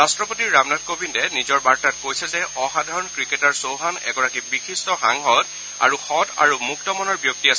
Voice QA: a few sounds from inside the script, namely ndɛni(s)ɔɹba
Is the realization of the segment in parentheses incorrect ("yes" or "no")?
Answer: yes